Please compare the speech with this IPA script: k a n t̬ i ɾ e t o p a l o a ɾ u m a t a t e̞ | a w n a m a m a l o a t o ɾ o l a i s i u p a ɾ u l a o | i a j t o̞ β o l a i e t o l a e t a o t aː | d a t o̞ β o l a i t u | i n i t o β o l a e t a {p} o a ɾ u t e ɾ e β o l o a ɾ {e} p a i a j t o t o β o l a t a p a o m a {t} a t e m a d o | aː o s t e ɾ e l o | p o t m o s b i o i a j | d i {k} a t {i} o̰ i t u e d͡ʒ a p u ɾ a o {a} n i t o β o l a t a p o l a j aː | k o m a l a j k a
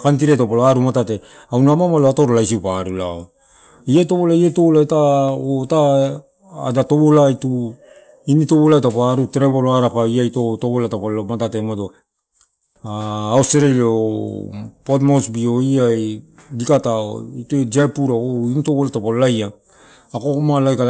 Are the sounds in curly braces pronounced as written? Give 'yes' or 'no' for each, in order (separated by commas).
yes, no, yes, yes, no, no